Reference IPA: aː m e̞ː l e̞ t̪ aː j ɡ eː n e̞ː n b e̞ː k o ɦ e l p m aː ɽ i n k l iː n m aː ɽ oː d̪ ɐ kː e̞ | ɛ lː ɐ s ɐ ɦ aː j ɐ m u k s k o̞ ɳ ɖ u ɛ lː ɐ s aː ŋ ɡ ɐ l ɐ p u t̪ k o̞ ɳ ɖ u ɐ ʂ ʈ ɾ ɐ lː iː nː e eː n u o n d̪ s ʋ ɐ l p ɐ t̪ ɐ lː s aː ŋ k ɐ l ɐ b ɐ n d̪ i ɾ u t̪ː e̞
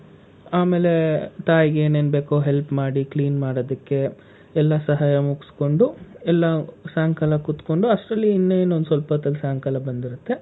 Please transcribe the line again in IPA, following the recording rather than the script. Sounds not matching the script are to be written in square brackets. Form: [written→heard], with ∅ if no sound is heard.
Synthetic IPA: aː m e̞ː l e̞ t̪ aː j ɡ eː n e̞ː n b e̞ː k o ɦ e l p m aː ɽ i [n→∅] k l iː n m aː ɽ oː d̪ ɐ kː e̞ | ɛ lː ɐ s ɐ ɦ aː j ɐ m u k s k o̞ ɳ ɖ u ɛ lː ɐ s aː ŋ [ɡ→k] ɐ l ɐ [p→k] u t̪ k o̞ ɳ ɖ u ɐ ʂ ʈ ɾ ɐ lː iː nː e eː n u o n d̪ s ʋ ɐ l p ɐ t̪ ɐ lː s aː ŋ k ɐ l ɐ b ɐ n d̪ i ɾ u t̪ː e̞